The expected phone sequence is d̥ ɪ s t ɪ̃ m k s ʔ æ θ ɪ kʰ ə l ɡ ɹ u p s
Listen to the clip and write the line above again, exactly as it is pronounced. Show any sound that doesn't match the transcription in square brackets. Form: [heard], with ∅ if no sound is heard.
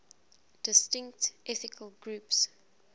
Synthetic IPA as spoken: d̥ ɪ s t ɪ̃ [ŋ] k [t] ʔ [ɛ] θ ɪ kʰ ə l ɡ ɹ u p s

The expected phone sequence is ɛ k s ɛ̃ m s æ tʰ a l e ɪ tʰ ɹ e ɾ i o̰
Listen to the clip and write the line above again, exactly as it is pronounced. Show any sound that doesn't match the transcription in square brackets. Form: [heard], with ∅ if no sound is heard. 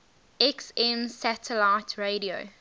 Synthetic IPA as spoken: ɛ k s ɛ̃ m s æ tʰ [ə] l [a] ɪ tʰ ɹ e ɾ i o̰

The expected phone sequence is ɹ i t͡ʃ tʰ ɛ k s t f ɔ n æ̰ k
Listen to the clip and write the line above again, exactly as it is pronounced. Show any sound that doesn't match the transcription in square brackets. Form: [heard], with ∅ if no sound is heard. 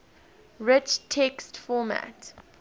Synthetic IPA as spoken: ɹ [ɪ] t͡ʃ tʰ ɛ k s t f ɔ [m] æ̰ [t]

